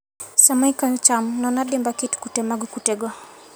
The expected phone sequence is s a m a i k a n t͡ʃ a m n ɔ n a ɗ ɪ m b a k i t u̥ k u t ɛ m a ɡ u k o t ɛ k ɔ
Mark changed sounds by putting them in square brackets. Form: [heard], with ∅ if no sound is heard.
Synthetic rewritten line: s a m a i k a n t͡ʃ a m n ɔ n a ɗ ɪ m b a k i t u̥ k u t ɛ m a ɡ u k [u] t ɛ [ɡ] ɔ